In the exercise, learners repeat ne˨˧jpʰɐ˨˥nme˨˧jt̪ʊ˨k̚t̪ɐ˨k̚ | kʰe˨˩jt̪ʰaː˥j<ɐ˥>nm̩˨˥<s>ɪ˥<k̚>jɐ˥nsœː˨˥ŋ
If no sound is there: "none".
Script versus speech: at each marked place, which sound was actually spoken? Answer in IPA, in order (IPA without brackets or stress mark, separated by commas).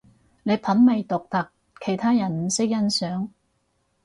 ɐ˨˩, s, k̚